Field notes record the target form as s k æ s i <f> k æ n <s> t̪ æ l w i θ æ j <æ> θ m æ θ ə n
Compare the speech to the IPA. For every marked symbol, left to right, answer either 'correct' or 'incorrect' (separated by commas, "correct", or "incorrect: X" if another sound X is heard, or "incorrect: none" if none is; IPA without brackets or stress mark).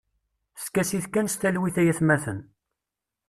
incorrect: θ, correct, correct